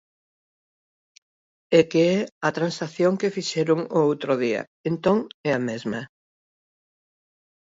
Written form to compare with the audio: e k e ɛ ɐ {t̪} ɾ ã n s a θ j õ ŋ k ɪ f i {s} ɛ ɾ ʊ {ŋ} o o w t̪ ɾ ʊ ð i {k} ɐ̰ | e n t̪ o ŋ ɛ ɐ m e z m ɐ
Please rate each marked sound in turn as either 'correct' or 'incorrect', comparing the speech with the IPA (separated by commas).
correct, incorrect, correct, incorrect